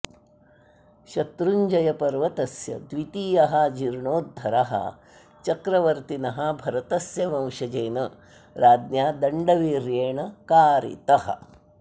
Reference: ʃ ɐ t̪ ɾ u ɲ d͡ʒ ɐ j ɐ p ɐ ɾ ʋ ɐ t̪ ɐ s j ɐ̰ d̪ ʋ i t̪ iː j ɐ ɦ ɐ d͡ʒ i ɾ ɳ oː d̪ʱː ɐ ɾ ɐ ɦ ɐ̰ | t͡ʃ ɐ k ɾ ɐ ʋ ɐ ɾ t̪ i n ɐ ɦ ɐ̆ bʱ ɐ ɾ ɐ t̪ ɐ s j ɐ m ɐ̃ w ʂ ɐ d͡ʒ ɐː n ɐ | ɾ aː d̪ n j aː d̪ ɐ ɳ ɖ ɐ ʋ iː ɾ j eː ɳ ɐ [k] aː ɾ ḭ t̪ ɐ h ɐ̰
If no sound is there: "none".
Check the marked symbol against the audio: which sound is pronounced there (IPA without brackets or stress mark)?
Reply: k